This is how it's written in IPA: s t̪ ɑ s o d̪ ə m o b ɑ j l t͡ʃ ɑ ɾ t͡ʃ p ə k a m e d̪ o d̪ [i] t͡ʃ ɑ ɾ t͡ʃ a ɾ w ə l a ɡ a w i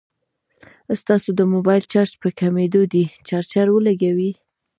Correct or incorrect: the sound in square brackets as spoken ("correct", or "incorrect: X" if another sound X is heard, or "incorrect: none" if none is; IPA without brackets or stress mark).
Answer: correct